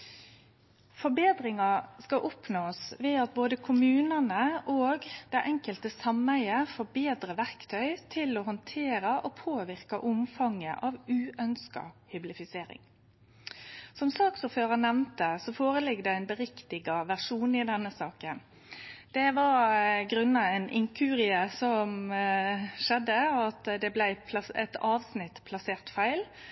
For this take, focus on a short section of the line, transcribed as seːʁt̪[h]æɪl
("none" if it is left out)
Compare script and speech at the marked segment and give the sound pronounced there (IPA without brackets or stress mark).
f